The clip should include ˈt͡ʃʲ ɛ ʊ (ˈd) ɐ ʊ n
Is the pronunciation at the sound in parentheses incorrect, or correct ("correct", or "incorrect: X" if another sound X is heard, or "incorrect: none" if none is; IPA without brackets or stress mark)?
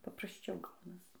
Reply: incorrect: ɡ